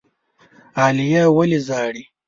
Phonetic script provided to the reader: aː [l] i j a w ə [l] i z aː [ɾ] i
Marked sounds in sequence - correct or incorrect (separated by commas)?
correct, correct, incorrect